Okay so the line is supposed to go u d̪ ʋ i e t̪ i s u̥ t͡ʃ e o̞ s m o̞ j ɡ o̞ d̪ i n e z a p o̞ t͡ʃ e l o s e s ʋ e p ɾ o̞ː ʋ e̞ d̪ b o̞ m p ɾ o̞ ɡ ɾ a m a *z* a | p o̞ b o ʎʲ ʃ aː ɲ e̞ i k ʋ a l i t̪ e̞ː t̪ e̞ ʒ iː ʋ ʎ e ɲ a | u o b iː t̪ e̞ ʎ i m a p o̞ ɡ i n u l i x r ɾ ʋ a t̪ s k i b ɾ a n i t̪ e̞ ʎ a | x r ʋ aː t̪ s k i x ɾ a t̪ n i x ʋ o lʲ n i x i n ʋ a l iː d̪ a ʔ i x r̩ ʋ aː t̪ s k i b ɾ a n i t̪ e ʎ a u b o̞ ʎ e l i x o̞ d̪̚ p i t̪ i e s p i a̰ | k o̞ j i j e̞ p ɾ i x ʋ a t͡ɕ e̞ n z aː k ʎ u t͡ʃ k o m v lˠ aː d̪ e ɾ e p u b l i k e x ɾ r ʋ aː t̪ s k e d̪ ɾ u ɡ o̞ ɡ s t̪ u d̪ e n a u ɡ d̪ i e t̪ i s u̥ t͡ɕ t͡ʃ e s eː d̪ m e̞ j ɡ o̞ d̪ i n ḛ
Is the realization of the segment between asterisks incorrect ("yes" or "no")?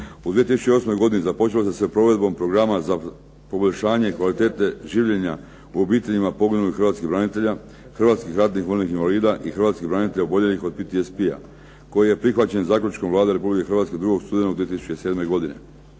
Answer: no